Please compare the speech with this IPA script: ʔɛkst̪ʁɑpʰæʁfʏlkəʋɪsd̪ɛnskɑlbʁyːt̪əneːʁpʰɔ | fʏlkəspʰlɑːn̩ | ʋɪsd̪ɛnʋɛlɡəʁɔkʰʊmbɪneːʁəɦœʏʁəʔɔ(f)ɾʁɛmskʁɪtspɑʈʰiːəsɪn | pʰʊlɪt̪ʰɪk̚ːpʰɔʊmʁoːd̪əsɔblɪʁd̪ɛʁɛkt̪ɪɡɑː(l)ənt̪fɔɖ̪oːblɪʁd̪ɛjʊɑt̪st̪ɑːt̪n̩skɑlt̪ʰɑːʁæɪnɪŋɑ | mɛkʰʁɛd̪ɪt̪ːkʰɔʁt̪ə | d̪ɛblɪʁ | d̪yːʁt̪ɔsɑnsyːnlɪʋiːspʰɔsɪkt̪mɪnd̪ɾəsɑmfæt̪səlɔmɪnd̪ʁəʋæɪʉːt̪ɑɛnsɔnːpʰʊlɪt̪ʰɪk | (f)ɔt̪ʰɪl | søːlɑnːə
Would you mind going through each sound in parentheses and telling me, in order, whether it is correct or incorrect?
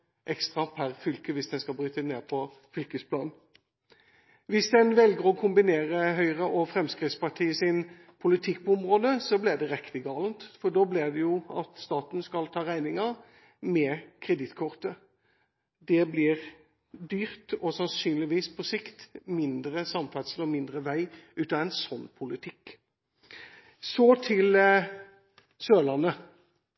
correct, correct, incorrect

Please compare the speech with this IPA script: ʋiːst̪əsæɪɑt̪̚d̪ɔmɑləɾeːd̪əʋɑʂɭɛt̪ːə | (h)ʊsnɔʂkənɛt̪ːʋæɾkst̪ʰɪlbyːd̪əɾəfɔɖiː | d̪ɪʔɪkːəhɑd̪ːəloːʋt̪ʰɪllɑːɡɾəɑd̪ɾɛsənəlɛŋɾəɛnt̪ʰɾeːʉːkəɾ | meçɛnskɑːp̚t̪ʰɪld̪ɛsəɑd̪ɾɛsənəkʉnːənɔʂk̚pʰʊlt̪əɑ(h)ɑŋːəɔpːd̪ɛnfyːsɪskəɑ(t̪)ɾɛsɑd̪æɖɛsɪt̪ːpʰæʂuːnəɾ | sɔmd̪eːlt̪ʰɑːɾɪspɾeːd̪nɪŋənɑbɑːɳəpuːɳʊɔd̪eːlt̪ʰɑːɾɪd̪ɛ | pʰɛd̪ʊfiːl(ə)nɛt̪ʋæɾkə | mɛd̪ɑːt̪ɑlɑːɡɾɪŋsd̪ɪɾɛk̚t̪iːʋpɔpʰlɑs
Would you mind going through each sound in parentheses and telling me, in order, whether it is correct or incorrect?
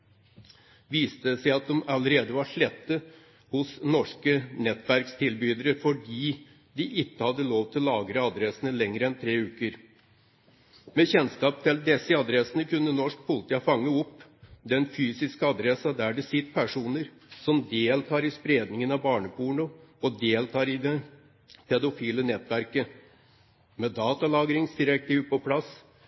correct, incorrect, incorrect, correct

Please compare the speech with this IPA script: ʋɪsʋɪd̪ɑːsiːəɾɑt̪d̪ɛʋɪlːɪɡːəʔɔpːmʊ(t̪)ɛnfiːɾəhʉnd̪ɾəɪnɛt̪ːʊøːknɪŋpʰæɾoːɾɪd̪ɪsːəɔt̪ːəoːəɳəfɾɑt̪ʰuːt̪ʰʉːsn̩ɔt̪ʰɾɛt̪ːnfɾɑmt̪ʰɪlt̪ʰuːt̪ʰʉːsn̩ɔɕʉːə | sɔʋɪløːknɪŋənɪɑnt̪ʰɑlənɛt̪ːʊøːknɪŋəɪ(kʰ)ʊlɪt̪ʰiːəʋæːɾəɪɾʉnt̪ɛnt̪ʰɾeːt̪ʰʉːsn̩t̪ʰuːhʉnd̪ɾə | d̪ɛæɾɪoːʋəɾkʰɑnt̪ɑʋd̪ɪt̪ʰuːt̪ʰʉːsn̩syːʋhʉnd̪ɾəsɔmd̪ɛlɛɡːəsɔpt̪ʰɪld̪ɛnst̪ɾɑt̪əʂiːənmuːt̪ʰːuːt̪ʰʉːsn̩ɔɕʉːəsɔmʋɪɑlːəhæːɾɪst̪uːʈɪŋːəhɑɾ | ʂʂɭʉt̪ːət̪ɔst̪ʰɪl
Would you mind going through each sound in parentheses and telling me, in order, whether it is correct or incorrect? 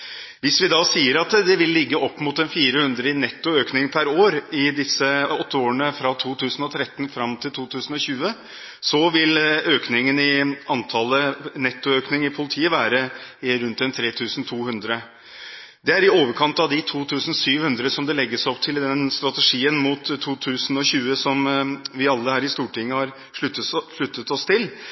correct, incorrect

